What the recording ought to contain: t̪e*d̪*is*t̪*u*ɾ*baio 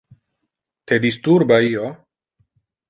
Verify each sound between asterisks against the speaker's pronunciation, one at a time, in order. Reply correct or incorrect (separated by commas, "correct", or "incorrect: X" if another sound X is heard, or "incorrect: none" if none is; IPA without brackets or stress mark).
correct, correct, correct